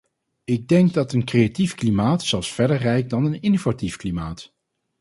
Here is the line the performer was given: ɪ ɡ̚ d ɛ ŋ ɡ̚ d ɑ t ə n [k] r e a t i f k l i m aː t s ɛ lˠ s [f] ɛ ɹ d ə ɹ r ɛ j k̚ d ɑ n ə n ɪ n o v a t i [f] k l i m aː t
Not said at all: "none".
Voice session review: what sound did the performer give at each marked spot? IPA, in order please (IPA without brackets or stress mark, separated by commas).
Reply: k, f, f